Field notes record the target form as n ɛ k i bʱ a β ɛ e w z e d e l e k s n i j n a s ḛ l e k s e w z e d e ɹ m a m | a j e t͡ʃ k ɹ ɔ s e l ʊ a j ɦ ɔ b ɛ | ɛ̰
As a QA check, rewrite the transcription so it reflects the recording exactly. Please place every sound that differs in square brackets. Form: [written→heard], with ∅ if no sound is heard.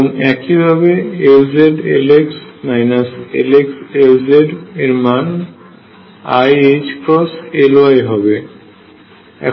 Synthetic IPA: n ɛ k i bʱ a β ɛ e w z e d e l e k s n [i→a] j n a s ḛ l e k s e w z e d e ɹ m a [m→n] | a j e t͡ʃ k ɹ ɔ s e l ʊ a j ɦ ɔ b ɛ | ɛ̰

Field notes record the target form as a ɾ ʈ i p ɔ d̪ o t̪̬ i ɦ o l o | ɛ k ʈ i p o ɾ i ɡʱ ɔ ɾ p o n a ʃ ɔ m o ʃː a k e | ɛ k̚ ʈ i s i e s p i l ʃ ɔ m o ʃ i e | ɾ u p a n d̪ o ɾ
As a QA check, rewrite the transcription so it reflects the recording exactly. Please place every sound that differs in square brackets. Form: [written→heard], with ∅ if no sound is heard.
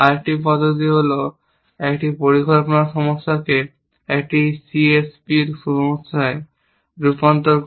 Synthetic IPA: a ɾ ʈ i p ɔ d̪ o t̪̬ i ɦ o l o | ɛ k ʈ i p o ɾ i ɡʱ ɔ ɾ p o n a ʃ ɔ m o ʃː a k e | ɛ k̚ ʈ i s i e s p i [l→ɾ] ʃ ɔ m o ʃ [i→a] e | ɾ u p a n [d̪→t̪] o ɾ

